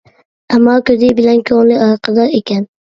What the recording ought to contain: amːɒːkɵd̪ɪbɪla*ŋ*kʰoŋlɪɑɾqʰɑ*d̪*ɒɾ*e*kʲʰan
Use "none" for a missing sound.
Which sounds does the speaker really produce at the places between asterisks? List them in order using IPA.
n, d̪, e

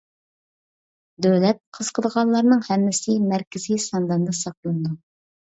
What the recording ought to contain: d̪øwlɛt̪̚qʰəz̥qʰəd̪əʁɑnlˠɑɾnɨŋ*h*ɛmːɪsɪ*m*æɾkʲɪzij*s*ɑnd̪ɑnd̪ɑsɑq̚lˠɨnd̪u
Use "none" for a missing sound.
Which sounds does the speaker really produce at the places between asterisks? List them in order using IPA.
h, m, s

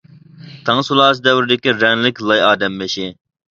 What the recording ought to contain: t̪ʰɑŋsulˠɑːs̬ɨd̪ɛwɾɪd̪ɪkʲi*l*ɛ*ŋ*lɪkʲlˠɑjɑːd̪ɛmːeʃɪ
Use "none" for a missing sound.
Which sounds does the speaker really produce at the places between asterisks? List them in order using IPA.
ɾ, ŋ

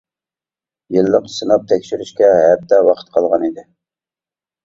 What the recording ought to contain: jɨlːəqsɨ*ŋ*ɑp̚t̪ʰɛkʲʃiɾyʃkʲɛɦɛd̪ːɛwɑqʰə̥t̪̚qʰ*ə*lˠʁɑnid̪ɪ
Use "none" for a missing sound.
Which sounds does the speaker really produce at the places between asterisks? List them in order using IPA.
n, ɑ

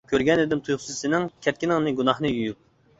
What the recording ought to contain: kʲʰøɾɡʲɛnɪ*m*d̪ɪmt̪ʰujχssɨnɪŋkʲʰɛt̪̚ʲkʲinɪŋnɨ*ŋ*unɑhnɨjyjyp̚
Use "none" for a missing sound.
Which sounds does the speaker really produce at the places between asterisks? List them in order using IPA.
none, ɡ

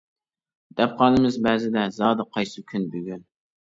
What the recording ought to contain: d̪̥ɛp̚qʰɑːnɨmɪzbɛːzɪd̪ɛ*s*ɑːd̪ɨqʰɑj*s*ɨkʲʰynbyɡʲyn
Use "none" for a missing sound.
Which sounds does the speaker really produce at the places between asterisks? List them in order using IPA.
z, s

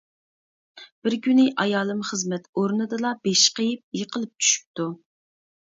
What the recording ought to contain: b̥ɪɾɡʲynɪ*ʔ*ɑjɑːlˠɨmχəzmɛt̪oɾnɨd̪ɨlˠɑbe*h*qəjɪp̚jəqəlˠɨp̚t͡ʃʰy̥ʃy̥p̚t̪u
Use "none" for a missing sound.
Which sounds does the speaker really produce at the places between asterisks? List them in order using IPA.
ʔ, ʃ

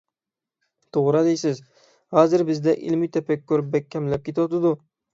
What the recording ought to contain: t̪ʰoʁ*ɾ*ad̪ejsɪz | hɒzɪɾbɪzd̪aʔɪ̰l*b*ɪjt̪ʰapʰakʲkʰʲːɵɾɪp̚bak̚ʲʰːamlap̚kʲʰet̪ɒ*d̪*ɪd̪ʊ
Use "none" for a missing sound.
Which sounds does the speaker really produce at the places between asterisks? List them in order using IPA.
ɾ, m, t̪

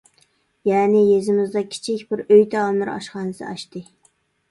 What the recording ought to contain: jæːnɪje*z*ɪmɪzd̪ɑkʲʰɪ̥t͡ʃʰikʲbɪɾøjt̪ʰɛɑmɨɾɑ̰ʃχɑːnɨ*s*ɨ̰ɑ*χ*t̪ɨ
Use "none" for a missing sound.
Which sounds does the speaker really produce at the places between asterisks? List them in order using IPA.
z, s, ʃ

